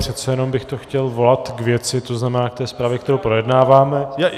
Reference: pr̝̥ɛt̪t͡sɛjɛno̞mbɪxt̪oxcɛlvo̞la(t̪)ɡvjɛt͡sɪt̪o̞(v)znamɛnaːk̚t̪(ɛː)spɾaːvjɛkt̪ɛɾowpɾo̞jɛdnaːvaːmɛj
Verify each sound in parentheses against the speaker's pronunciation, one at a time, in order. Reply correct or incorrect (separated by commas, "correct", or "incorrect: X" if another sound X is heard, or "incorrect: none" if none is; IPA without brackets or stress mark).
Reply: correct, incorrect: none, correct